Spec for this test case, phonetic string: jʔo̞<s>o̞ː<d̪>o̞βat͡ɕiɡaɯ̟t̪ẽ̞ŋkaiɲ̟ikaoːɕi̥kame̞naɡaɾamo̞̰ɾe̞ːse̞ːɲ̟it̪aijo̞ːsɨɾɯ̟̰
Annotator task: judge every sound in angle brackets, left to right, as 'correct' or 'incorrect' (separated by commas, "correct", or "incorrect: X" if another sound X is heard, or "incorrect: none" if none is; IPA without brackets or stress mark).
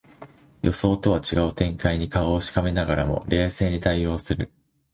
correct, incorrect: t̪